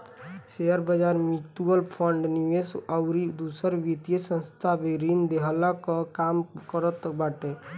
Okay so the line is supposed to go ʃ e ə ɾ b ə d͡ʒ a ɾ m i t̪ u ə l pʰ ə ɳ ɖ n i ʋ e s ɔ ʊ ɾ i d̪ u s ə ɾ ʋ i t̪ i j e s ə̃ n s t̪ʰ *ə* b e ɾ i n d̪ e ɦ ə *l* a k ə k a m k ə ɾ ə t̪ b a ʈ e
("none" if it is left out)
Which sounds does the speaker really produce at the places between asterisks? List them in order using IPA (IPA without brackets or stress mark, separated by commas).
a, l